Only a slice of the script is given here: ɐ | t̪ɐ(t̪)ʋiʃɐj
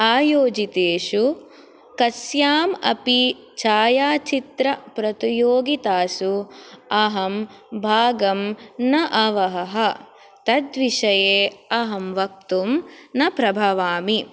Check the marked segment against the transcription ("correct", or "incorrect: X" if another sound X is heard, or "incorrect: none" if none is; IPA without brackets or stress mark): incorrect: d̪